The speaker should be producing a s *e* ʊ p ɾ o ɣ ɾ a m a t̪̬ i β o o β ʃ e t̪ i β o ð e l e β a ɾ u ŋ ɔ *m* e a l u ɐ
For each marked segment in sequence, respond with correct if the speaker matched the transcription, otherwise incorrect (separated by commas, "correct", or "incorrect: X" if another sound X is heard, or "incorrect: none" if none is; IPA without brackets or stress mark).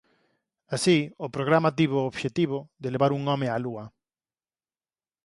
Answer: incorrect: i, correct